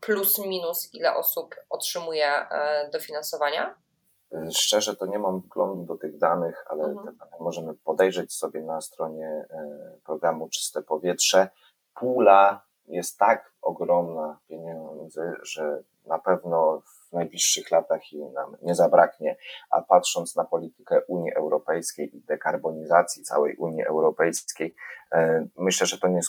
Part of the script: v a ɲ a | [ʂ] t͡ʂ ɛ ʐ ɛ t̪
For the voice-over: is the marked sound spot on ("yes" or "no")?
yes